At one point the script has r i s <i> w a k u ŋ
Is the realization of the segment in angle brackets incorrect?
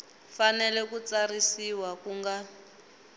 no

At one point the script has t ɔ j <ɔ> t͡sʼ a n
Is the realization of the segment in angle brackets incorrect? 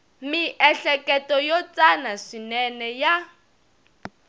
no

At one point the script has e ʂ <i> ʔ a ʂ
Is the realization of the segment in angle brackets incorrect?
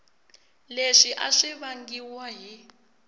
no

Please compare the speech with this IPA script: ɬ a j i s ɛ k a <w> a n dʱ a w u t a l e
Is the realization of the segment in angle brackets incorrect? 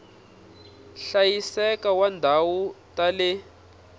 no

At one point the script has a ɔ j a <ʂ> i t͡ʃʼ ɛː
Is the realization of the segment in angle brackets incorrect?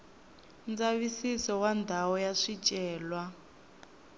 no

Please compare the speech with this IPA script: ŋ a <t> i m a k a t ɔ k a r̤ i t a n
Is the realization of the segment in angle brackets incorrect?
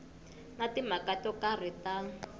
no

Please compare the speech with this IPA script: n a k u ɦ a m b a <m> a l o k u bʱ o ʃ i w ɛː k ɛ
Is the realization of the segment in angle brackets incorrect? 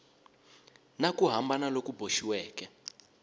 yes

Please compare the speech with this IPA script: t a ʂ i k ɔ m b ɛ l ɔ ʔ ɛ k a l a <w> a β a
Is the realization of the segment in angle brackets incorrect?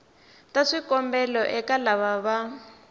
yes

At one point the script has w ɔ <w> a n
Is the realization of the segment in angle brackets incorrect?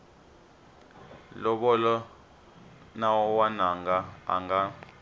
no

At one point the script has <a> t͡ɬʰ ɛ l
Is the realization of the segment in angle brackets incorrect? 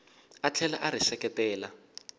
no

